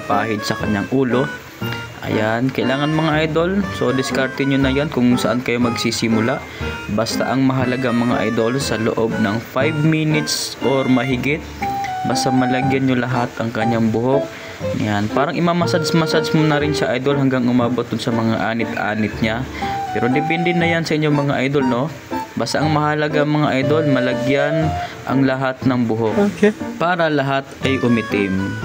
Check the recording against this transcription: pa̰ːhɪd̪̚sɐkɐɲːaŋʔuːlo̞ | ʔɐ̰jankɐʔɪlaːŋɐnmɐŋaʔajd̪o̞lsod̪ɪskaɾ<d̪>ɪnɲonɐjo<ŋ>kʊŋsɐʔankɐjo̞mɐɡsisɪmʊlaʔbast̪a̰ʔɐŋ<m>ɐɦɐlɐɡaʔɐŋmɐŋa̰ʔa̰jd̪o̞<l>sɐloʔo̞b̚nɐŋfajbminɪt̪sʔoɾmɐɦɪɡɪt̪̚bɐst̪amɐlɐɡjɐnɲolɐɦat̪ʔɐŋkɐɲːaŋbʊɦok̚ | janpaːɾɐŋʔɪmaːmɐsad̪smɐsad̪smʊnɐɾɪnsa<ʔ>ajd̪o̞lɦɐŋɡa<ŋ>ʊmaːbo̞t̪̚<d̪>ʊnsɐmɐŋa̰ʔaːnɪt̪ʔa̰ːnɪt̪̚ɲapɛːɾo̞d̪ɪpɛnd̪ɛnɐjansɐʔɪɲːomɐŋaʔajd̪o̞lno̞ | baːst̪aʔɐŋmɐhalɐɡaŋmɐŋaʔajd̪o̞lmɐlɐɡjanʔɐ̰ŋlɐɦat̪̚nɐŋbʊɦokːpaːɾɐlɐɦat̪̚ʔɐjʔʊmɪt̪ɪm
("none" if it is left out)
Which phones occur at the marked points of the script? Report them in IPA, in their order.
t̪, n, m, l, ʔ, ŋ, d̪

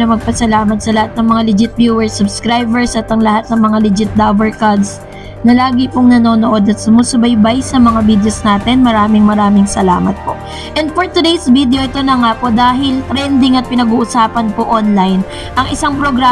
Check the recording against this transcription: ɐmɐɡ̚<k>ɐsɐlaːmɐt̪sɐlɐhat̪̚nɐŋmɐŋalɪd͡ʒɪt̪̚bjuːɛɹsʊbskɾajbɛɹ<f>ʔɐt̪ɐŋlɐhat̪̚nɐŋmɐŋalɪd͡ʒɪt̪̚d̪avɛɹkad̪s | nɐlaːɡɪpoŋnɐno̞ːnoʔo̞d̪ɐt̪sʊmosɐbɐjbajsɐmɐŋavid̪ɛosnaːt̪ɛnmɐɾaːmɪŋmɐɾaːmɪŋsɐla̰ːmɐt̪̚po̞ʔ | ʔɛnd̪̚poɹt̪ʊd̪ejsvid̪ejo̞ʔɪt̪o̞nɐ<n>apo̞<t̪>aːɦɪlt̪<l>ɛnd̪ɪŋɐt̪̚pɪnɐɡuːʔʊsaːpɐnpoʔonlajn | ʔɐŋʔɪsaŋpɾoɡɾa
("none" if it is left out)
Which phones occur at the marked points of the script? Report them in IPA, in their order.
p, s, ŋ, d̪, ɾ

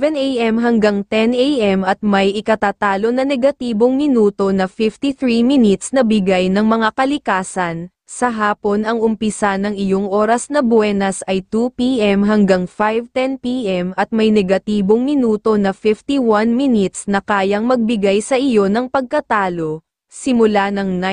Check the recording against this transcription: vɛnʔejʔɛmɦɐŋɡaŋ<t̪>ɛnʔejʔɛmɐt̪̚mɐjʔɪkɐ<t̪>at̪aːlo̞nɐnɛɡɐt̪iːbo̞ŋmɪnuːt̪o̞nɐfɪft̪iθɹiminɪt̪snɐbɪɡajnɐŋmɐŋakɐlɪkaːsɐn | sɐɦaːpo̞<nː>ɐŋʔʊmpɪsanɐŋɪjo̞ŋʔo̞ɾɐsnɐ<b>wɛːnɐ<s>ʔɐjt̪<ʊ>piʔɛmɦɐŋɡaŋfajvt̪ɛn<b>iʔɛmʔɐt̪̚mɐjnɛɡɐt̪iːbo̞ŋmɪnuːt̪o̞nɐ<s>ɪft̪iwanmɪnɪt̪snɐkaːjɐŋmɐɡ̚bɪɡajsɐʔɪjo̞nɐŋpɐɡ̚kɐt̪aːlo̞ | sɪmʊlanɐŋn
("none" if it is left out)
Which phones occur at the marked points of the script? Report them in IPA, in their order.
t̪, t̪, n, b, s, u, p, f

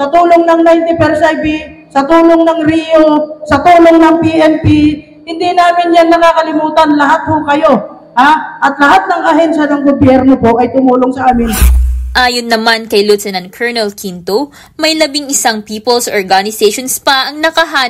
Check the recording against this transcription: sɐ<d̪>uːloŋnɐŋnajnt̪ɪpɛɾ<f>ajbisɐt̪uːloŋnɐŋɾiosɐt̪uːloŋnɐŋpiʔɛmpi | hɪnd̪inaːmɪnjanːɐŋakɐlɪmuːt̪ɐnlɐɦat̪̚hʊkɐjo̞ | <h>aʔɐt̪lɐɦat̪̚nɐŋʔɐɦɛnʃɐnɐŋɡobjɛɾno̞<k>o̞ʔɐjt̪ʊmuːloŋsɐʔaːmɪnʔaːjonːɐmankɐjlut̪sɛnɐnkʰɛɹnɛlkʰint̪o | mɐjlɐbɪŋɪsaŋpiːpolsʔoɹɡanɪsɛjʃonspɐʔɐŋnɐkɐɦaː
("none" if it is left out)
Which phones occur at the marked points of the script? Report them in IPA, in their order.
t̪, s, h, p

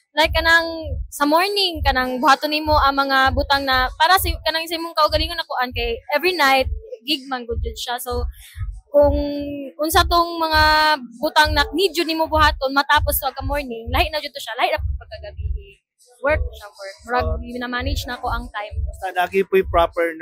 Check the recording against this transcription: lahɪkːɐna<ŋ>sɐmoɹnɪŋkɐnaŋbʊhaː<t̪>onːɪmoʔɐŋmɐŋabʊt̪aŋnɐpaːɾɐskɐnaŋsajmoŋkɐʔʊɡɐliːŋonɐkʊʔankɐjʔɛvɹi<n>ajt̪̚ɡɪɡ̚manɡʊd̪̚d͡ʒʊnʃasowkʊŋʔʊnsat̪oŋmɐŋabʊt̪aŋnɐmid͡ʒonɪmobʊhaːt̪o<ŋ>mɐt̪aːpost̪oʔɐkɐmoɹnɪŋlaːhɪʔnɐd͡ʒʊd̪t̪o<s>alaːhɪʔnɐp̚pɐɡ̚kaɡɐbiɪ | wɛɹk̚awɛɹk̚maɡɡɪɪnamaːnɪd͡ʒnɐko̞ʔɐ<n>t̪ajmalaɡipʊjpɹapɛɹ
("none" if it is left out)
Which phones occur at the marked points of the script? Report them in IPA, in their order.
ŋ, t̪, n, n, ʃ, ŋ

